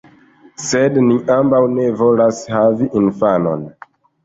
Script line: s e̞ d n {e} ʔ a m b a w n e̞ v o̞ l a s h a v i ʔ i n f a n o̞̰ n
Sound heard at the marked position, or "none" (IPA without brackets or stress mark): i